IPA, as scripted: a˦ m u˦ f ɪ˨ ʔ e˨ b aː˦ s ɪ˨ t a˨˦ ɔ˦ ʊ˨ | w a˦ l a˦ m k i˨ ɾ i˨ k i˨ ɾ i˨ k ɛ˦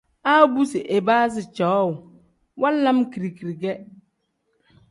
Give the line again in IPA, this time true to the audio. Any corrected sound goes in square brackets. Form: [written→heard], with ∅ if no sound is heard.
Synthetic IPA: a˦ [m→b] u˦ [f→s] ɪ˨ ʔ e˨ b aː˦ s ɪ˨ [t→t͡ʃ] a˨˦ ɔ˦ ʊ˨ | w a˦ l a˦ m k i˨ ɾ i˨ k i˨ ɾ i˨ [k→ɡ] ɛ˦